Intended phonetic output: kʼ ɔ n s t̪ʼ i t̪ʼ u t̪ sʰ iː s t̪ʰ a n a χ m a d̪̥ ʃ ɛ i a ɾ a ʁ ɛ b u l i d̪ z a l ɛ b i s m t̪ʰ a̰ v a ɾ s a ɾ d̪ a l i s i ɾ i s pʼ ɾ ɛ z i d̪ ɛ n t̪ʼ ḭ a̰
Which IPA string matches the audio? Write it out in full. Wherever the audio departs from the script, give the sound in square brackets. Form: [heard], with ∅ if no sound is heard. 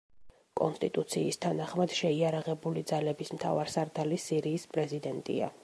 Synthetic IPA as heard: kʼ ɔ n s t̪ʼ i t̪ʼ u t̪ sʰ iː s t̪ʰ a n a χ m a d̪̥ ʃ ɛ i a ɾ a ʁ ɛ b u l i d̪ z a l ɛ b i s m t̪ʰ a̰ v a ɾ s a ɾ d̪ a l i s i ɾ [iː] s pʼ ɾ ɛ z i d̪ ɛ n t̪ʼ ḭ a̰